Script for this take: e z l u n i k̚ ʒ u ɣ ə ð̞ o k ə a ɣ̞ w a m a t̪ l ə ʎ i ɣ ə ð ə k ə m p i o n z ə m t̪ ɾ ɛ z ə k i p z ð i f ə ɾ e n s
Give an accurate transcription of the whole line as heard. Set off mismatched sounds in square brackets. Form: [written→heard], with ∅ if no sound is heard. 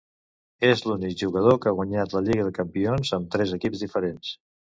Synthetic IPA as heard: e z l u n i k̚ ʒ u ɣ ə ð̞ o k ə a ɣ̞ w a [m→ɲ] a t̪ l ə ʎ i ɣ ə ð ə k ə m p i o n z ə m t̪ ɾ ɛ z ə k i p z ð i f ə ɾ e n s